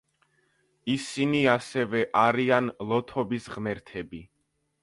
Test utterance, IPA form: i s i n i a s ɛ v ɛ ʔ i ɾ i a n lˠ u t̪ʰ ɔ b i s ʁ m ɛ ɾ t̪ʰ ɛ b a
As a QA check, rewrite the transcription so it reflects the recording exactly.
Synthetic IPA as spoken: i s i n i a s ɛ v ɛ ʔ a ɾ i a n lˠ ɔ t̪ʰ ɔ b i s ʁ m ɛ ɾ t̪ʰ ɛ b i